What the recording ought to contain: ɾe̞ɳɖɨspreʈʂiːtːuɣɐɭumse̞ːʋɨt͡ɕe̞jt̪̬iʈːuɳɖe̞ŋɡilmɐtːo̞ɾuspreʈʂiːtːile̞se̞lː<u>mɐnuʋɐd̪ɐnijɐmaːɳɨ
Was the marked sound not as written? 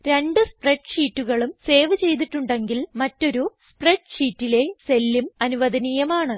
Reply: no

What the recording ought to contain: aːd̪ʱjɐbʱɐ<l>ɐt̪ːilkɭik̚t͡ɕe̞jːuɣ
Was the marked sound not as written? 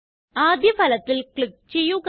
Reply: no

